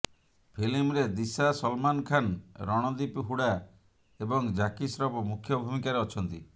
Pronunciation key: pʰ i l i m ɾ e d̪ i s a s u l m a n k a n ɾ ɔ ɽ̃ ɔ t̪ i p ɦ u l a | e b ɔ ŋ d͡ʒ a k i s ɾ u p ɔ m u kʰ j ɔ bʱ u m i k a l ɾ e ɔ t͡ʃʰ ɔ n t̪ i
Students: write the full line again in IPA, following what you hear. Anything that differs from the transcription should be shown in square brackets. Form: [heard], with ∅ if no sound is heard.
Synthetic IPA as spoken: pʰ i l i m ɾ e d̪ i s a s [ɔ] l m a n [kʰ] a n ɾ ɔ ɽ̃ ɔ [d̪] i p ɦ u [ɽ] a | e b ɔ ŋ d͡ʒ a k i s ɾ [ɔ] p ɔ m u kʰ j ɔ bʱ u m i k a [∅] ɾ e ɔ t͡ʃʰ ɔ n t̪ i